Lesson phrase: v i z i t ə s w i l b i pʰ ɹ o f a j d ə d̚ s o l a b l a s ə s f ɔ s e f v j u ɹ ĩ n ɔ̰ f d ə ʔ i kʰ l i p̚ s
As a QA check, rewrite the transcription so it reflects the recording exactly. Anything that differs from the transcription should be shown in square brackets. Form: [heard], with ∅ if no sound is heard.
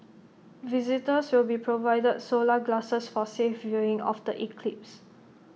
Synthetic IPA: v i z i t ə s w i l b i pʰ ɹ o [v] a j d ə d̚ s o l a [ɡ] l a s ə s f ɔ s e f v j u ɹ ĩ [ŋ] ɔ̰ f d ə ʔ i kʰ l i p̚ s